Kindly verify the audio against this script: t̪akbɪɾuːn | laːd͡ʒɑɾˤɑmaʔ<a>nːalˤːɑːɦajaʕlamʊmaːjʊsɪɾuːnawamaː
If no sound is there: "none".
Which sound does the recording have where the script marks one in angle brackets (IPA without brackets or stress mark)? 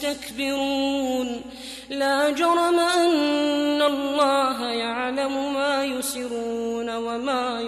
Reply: a